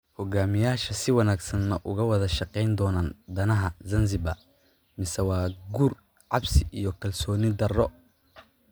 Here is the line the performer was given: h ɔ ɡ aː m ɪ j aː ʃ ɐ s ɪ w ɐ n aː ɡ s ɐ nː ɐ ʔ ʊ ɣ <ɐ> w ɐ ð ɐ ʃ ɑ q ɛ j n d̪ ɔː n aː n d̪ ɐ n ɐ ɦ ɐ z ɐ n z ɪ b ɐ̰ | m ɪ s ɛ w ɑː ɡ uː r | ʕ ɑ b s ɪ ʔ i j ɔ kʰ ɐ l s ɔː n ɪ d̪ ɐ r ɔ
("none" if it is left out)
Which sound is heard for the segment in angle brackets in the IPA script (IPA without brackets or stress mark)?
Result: ɐ